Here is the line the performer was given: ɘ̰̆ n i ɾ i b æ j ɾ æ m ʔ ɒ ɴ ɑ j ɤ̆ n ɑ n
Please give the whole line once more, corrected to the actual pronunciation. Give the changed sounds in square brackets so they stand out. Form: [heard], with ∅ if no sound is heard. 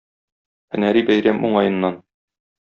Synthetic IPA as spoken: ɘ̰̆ n [æ] ɾ i b æ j ɾ æ m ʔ [u] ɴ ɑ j ɤ̆ [nː] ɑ n